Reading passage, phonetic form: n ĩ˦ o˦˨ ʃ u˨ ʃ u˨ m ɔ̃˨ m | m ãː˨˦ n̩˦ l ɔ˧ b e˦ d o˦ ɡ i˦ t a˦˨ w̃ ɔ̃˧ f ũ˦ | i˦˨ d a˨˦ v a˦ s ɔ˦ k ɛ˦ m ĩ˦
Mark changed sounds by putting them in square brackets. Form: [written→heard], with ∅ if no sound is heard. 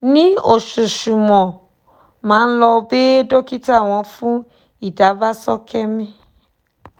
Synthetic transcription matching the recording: n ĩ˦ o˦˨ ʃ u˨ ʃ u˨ m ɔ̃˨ [m→∅] | m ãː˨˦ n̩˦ l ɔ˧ b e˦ d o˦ [ɡ→k] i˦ t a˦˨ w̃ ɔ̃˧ f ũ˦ | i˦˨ d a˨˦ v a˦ s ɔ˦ k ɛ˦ m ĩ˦